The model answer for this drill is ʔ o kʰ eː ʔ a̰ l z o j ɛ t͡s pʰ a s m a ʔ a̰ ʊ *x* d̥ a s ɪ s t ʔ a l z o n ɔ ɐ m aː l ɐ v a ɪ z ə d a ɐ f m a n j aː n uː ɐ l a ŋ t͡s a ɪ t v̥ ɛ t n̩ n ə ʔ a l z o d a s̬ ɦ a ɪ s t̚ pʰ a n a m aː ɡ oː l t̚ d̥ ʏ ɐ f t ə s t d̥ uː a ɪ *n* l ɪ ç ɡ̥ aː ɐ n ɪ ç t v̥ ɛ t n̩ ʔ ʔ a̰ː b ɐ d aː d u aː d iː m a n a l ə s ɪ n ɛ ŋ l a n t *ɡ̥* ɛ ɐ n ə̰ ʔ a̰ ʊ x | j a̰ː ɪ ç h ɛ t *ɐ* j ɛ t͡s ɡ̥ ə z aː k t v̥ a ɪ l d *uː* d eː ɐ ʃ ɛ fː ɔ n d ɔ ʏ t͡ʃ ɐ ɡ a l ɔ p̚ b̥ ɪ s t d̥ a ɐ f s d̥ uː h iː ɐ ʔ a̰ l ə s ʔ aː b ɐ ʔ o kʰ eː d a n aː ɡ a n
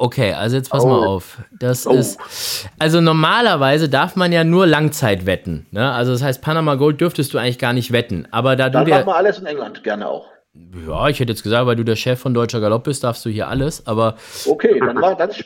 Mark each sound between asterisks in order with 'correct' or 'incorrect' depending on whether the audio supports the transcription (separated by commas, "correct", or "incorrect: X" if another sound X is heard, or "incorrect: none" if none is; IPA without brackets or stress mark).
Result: incorrect: f, incorrect: ŋ, correct, incorrect: ə, correct